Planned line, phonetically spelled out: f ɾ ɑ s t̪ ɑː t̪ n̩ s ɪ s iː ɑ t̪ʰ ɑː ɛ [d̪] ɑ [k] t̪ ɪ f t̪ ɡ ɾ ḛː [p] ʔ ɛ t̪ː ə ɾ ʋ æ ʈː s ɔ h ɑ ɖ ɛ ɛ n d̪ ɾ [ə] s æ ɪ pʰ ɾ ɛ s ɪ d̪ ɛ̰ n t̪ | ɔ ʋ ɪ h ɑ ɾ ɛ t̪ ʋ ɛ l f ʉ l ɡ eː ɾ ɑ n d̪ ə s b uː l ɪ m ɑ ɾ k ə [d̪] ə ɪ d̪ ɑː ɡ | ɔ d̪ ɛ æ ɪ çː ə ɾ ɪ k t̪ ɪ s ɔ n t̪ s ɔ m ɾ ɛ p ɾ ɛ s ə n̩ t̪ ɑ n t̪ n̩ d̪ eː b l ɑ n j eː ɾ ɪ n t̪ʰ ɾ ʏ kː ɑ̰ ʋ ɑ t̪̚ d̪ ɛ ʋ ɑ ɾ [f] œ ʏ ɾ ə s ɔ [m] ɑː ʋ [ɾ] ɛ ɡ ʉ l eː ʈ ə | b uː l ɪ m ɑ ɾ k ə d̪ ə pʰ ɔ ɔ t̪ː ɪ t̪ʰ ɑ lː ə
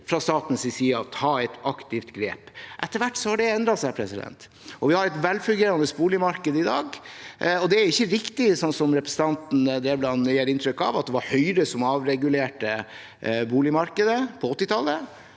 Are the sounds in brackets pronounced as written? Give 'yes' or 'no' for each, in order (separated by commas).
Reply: no, yes, yes, no, yes, no, yes, yes